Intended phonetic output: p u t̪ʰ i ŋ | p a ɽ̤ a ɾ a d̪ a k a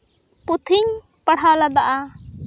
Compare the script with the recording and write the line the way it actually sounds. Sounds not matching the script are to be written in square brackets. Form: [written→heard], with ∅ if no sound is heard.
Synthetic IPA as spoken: p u t̪ʰ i [ŋ→ɲ] | p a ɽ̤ a [ɾ→l] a d̪ a [k→ʔ] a